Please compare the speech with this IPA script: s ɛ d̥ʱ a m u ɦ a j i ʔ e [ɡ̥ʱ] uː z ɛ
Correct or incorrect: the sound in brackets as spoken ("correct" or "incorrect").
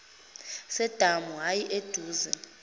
incorrect